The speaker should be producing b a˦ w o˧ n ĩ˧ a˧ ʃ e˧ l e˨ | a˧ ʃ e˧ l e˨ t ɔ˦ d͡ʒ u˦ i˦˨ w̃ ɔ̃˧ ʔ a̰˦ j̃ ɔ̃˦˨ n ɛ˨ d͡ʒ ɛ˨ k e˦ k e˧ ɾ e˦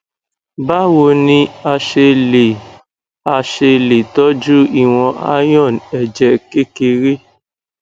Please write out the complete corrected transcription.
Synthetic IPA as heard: b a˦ w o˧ n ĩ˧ a˧ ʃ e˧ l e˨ | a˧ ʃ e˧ l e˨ t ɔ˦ d͡ʒ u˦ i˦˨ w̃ ɔ̃˧ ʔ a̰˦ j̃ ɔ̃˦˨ n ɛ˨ d͡ʒ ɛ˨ k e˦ k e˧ ɾ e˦